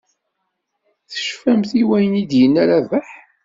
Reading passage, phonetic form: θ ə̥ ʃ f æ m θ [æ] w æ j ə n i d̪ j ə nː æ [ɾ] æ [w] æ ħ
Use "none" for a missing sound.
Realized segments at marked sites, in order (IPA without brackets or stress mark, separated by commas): i, ɾ, v